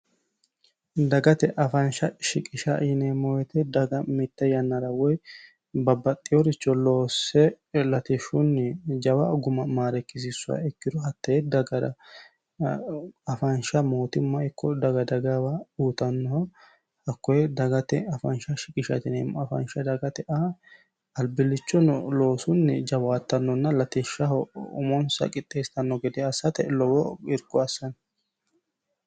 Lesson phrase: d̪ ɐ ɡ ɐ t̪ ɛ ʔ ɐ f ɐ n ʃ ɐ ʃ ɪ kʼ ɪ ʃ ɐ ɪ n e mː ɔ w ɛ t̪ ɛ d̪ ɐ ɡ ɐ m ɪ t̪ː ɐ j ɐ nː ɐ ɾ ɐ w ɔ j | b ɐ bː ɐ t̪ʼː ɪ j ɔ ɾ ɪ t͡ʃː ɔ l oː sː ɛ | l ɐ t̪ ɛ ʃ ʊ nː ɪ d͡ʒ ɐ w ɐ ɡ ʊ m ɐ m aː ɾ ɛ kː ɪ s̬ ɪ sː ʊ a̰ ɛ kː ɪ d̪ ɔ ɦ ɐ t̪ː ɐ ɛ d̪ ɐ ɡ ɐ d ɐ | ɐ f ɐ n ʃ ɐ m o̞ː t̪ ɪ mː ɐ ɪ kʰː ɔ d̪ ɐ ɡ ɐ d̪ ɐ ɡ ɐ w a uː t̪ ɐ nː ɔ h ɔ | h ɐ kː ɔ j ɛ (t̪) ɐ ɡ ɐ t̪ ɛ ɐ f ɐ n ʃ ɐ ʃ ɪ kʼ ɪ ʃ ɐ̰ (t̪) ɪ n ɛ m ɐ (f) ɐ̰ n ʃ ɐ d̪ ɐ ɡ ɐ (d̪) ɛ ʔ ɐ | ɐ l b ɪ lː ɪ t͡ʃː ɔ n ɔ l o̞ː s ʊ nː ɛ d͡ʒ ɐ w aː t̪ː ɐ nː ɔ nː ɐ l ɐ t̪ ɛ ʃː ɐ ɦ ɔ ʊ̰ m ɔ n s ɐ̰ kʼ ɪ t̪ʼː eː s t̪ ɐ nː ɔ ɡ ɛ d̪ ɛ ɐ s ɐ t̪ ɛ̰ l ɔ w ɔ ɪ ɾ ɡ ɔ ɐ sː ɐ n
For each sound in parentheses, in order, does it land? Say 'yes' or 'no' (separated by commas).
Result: no, yes, yes, no